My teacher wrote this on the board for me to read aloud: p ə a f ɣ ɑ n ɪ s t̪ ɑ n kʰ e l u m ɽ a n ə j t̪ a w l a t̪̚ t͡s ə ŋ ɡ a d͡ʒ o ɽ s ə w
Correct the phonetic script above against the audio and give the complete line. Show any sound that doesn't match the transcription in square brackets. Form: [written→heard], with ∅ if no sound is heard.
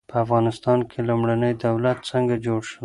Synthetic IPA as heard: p ə a f ɣ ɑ n ɪ s t̪ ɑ n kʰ e l u m ɽ a n ə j [t̪→d̪] a w l a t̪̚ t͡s ə ŋ ɡ a d͡ʒ o ɽ [s→ʃ] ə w